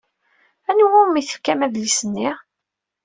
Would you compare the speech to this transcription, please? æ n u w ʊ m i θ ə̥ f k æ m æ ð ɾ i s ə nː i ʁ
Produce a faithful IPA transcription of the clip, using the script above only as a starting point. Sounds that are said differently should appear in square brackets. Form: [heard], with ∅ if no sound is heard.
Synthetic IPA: æ n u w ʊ m i θ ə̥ f k æ m æ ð [l] i s ə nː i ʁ